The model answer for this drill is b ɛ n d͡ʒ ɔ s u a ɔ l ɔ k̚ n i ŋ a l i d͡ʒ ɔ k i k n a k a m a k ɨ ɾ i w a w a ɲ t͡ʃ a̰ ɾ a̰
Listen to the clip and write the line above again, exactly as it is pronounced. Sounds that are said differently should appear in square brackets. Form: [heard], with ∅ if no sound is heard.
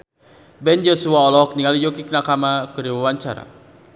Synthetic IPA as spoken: b ɛ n d͡ʒ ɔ s u a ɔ l ɔ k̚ n i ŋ a l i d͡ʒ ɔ k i k n a k a m a k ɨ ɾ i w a w a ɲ t͡ʃ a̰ ɾ a̰

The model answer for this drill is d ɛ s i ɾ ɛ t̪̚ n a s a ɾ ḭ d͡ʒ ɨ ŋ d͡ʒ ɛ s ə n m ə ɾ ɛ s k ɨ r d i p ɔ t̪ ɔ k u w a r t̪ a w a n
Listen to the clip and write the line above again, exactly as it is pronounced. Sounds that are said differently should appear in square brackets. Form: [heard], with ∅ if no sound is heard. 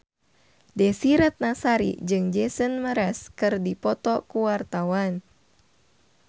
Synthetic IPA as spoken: d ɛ s i ɾ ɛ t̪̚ n a s a ɾ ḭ d͡ʒ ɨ ŋ d͡ʒ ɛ s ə n m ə ɾ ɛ s k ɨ r d i p ɔ t̪ ɔ k u w a r t̪ a w a n

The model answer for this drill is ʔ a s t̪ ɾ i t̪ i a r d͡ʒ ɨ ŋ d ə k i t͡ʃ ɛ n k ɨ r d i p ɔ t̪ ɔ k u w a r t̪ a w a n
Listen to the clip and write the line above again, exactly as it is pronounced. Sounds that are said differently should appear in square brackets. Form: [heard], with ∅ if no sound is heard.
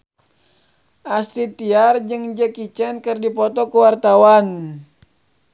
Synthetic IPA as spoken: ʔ a s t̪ ɾ i t̪ i a r d͡ʒ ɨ ŋ [d͡ʒ] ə k i t͡ʃ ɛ n k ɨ r d i p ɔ t̪ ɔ k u w a r t̪ a w a n

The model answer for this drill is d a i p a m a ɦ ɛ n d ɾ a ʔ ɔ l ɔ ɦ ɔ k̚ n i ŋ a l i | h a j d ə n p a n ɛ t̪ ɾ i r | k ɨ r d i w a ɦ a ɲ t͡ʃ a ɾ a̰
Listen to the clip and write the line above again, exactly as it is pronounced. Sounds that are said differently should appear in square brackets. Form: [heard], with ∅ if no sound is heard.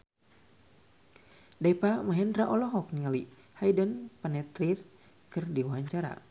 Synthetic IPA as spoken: d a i p a m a ɦ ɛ n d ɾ a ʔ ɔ l ɔ ɦ ɔ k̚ n i ŋ a l i | h a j d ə n p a n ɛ t̪ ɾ i r | k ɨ r d i w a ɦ a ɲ t͡ʃ a ɾ a̰

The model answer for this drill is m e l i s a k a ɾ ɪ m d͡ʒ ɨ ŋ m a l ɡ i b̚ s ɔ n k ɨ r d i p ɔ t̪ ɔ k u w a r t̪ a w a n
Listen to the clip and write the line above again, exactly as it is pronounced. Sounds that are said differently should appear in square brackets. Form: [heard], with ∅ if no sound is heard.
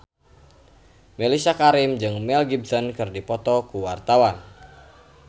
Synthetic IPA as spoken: m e l i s a k a ɾ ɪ m d͡ʒ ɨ ŋ m [ɛ] l ɡ i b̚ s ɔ n k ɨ r d i p ɔ t̪ ɔ k u w a r t̪ a w a n

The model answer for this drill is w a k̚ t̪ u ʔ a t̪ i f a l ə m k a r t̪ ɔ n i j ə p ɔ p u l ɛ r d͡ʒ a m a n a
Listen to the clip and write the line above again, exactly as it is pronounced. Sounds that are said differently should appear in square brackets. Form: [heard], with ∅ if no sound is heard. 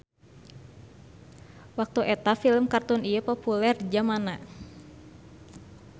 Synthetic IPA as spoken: w a k̚ t̪ u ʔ [ɛ] t̪ [a] f [i] l ə m k a r t̪ [u] n i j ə p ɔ p u l ɛ r d͡ʒ a m a n a

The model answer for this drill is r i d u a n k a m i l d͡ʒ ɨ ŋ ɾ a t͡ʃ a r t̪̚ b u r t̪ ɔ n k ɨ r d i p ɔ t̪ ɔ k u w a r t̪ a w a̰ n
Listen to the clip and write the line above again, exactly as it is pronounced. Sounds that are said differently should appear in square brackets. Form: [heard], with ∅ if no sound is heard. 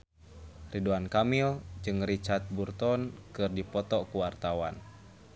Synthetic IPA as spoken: r i d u a n k a m i l d͡ʒ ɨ ŋ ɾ [i] t͡ʃ a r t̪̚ b u r t̪ ɔ n k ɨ r d i p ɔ t̪ ɔ k u w a r t̪ a w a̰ n

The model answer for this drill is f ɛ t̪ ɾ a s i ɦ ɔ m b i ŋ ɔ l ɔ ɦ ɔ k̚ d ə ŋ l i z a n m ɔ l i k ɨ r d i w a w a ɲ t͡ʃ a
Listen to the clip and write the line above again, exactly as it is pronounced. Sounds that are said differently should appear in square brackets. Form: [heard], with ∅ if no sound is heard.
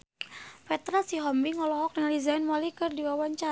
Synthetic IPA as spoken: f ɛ t̪ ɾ a s i ɦ ɔ m b i ŋ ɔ l ɔ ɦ ɔ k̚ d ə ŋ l i z a n m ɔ l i k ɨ r d i w a w a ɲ t͡ʃ a

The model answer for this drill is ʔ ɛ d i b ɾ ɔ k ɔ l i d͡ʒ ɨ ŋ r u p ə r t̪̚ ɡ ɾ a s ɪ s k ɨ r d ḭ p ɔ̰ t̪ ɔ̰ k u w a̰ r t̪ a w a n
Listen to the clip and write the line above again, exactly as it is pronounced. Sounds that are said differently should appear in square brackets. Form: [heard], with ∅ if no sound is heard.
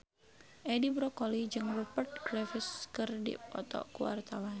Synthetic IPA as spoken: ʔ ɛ d i b ɾ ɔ k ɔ l i d͡ʒ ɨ ŋ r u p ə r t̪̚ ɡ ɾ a [f] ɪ s k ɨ r d ḭ p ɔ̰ t̪ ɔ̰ k u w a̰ r t̪ a w a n

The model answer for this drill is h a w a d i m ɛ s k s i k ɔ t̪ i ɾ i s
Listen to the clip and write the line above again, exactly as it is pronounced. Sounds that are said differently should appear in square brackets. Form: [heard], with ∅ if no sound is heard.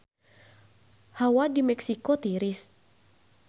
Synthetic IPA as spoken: h a w a d i m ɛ [∅] k s i k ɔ t̪ i ɾ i s

